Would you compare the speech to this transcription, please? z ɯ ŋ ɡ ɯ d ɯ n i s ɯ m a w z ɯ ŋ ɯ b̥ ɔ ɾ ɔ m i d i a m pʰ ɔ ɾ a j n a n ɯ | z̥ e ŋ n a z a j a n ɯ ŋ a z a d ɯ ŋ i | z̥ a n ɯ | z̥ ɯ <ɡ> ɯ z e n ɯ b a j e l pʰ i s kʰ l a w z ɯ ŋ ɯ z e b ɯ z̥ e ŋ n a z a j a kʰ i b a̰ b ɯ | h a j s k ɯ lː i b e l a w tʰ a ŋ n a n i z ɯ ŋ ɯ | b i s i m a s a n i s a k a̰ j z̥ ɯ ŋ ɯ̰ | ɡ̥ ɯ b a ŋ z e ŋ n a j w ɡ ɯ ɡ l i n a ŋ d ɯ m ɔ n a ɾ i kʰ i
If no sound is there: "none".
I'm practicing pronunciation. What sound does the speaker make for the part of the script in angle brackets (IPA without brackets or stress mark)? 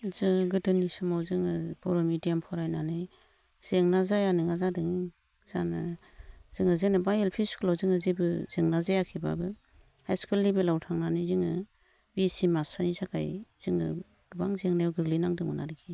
ŋ